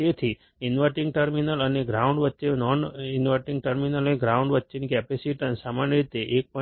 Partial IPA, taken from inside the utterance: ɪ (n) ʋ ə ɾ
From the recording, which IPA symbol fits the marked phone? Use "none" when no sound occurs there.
n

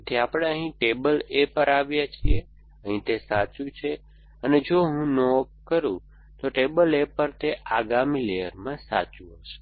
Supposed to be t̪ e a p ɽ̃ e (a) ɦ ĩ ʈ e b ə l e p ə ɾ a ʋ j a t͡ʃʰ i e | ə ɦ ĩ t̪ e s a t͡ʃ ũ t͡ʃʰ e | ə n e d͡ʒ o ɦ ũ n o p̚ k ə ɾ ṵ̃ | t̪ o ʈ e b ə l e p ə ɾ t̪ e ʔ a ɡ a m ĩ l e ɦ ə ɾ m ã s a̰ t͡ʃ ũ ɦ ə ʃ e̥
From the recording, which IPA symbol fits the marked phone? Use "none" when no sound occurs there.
ə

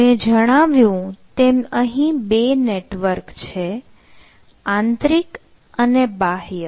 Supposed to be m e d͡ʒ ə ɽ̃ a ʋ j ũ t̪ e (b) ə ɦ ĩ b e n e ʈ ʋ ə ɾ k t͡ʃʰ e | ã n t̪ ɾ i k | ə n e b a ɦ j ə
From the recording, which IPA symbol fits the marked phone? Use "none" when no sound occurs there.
m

